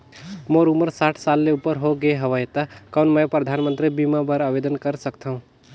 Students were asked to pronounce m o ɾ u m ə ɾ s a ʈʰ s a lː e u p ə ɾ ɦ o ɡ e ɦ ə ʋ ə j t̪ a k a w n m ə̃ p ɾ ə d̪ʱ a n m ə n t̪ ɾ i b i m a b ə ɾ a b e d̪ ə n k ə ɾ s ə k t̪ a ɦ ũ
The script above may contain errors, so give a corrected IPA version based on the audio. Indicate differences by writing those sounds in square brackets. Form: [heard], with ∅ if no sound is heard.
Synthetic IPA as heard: m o ɾ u m ə ɾ s a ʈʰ s a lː e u p ə ɾ ɦ o ɡ e ɦ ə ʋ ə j t̪ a k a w n m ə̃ p ɾ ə d̪ʱ a n m ə n t̪ ɾ i b i m a b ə ɾ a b e d̪ ə n k ə ɾ s ə k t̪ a ɦ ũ